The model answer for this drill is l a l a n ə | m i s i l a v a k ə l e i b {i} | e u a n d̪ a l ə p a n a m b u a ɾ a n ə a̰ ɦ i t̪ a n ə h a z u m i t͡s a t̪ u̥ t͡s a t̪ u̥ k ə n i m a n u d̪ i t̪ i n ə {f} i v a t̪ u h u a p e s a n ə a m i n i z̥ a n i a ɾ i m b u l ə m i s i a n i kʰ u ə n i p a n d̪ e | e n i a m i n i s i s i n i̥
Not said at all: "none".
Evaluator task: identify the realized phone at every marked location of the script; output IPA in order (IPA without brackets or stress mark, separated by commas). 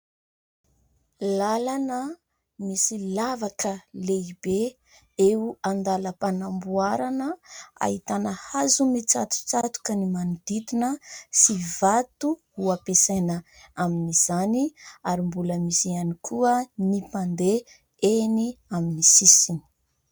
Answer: e, s